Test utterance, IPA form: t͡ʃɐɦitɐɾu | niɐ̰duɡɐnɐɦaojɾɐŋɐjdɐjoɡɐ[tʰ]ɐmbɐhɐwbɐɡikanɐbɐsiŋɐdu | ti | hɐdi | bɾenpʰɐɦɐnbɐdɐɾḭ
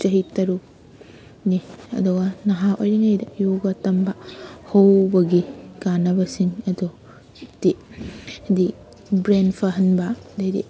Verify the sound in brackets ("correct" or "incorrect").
incorrect